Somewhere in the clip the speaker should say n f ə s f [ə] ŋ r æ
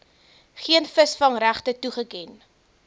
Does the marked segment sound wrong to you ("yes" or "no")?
yes